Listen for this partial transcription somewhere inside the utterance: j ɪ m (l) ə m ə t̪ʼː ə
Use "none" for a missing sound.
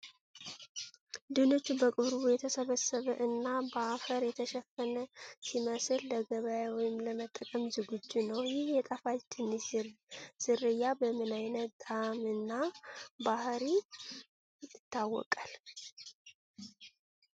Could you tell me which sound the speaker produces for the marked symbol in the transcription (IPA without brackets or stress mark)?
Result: l